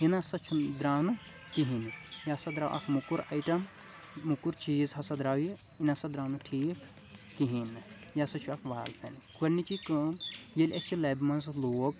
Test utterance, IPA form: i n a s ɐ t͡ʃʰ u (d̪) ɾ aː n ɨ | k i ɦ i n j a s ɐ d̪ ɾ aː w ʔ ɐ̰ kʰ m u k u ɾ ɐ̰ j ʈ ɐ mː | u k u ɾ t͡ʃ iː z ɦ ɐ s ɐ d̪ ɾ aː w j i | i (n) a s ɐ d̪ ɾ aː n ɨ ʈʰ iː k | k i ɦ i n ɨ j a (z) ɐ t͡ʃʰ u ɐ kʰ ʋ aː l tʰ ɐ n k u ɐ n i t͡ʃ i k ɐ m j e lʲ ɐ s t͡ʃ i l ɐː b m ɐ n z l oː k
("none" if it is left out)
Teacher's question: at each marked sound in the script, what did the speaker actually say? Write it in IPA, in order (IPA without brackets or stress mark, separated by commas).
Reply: d̪, n, s